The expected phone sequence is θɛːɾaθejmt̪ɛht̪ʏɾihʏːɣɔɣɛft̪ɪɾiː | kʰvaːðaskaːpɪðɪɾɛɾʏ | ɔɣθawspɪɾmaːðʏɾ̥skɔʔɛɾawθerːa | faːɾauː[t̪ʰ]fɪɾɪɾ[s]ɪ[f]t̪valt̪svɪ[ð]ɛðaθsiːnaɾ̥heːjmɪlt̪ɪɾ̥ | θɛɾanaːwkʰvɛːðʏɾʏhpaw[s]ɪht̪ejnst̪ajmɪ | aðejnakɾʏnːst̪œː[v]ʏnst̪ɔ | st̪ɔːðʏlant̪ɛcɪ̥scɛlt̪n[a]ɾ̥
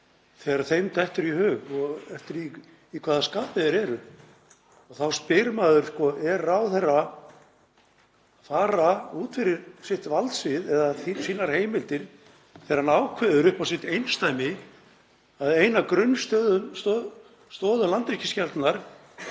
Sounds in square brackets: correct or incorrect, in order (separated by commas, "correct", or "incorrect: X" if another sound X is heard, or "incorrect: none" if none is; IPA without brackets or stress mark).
incorrect: t̪, correct, incorrect: h, correct, correct, incorrect: ð, correct